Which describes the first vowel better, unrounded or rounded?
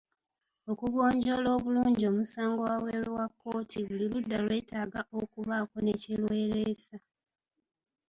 rounded